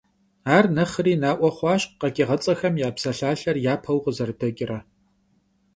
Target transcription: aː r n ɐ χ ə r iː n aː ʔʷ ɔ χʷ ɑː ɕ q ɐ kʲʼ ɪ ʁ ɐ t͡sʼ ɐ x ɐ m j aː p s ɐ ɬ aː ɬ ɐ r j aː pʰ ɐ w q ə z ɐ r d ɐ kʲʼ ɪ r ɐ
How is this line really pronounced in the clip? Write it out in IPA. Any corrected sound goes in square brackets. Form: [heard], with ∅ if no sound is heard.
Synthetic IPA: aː r n ɐ χ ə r iː n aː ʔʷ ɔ χʷ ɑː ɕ q ɐ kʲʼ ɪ ʁ ɐ t͡sʼ ɐ x ɐ m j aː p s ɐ ɬ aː ɬ ɐ r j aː pʰ ɐ w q ə z ɐ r d ɐ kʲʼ ɪ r ɐ